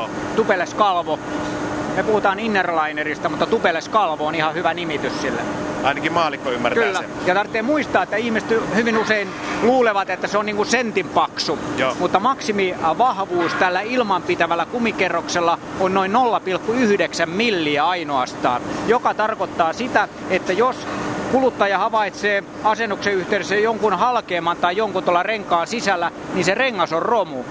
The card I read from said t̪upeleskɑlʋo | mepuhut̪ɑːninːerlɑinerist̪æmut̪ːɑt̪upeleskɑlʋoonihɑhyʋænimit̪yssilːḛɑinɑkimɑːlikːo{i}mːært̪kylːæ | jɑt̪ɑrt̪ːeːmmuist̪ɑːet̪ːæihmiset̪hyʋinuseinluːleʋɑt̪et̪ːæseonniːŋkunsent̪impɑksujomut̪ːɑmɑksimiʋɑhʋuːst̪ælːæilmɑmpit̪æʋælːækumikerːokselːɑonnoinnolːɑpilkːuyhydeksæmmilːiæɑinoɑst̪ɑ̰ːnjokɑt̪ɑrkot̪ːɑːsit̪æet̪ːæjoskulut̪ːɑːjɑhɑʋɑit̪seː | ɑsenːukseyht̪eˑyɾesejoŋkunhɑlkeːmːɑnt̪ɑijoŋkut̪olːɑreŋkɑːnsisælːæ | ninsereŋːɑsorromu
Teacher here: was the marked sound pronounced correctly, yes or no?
no